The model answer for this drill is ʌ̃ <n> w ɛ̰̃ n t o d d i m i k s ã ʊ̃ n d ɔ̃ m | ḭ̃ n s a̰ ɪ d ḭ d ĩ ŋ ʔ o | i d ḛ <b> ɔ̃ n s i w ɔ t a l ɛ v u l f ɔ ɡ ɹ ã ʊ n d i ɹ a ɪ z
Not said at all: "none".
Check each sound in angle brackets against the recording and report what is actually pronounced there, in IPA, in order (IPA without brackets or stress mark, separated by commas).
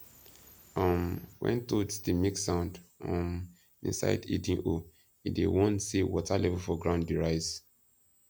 m, w